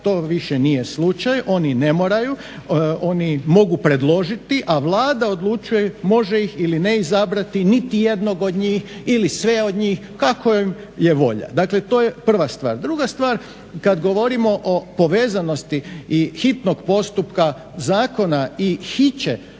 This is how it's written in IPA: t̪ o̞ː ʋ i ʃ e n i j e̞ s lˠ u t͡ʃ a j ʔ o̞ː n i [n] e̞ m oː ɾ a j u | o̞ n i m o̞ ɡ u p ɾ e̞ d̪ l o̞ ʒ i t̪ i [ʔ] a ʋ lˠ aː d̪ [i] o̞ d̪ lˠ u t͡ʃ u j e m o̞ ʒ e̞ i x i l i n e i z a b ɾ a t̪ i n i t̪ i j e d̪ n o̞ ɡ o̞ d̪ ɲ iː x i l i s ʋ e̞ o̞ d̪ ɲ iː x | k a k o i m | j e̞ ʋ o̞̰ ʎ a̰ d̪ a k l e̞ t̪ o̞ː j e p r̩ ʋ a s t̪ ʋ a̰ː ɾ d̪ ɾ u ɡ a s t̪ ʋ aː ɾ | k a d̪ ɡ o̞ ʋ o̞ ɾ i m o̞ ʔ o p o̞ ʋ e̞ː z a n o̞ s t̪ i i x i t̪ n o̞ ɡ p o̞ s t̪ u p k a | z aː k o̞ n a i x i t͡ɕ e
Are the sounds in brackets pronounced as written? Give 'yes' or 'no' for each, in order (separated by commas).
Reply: yes, yes, no